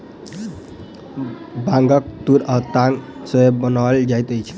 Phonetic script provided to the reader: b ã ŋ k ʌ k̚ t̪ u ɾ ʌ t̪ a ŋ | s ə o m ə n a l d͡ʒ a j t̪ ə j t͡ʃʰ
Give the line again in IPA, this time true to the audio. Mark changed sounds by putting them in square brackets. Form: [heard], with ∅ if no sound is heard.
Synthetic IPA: b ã ŋ [ɡ] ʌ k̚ t̪ u ɾ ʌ t̪ a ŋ | s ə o [b] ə n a l d͡ʒ a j t̪ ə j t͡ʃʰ